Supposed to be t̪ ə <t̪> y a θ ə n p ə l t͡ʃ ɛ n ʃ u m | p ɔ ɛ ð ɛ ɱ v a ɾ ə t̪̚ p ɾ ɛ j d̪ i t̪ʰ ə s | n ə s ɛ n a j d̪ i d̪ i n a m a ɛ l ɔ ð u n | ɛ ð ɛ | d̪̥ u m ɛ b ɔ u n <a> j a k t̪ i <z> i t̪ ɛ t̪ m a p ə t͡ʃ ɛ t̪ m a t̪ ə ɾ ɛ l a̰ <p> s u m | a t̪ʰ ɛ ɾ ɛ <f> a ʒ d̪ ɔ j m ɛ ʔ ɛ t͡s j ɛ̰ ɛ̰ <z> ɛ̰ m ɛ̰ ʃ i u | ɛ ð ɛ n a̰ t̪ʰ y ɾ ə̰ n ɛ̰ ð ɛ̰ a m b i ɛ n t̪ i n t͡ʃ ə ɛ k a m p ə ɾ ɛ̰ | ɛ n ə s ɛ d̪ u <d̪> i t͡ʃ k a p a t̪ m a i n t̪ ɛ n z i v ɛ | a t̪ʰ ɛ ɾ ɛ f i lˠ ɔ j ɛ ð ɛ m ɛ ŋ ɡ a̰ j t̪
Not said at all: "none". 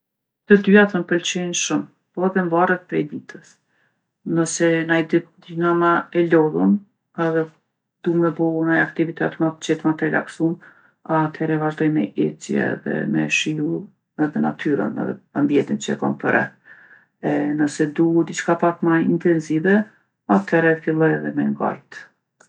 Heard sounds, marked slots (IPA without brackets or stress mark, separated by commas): d̪, a, v, k, v, ð, d̪